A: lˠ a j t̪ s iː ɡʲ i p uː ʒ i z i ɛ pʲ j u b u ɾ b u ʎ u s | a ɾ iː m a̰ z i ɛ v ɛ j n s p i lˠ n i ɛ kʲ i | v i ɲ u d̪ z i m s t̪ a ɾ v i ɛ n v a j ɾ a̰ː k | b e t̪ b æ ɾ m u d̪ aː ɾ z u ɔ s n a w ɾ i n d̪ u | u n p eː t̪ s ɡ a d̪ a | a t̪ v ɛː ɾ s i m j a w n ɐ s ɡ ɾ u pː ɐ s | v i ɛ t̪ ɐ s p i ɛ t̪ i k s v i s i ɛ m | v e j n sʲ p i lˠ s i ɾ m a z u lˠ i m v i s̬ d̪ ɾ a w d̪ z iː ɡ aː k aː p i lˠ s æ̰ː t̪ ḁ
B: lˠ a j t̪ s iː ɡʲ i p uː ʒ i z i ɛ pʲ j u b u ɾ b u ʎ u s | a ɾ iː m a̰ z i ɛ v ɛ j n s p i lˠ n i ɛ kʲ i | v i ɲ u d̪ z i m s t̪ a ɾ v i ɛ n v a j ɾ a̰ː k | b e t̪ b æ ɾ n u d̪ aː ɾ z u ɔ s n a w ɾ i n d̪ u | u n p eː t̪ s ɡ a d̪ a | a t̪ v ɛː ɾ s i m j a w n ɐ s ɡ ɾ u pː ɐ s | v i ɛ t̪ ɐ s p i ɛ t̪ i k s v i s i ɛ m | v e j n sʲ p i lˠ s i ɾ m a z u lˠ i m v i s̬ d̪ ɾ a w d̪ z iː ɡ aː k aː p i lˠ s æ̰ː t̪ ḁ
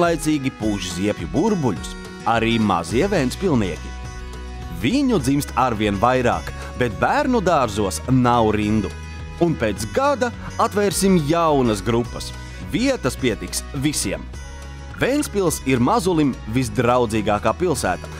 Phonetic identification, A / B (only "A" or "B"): B